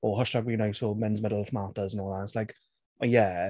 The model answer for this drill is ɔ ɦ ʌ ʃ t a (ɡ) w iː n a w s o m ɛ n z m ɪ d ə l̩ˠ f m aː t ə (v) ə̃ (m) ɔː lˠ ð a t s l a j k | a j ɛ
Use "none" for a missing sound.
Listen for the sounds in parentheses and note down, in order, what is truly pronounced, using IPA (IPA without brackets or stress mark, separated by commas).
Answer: ɡ, z, n